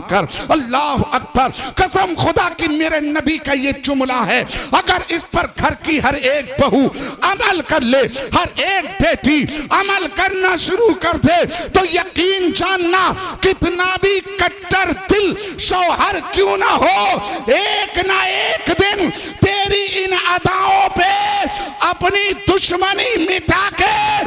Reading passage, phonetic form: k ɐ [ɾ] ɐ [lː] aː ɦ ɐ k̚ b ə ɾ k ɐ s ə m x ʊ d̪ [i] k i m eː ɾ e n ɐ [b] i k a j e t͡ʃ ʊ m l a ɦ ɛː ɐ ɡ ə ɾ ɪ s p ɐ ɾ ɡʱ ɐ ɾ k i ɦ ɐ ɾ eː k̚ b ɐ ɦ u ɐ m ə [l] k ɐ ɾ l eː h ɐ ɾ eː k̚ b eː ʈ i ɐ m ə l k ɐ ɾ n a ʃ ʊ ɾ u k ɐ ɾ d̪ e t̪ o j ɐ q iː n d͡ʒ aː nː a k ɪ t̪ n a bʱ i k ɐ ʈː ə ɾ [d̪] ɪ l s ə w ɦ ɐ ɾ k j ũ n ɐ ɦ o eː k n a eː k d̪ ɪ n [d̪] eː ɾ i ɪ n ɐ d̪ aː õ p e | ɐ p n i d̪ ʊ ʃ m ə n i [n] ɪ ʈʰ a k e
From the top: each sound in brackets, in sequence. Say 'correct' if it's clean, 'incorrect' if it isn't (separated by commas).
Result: correct, correct, incorrect, correct, correct, correct, incorrect, incorrect